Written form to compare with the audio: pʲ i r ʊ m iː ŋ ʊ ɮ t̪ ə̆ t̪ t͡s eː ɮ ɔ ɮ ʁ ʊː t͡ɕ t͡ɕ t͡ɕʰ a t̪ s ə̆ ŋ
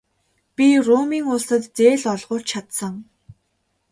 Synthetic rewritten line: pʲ i r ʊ m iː ŋ ʊ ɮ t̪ ə̆ t̪ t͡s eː ɮ ɔ ɮ ʁ ʊː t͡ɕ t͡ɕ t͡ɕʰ a t̪ s ə̆ ŋ